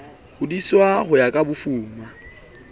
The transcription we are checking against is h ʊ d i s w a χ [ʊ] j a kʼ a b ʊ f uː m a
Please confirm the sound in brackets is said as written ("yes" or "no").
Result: yes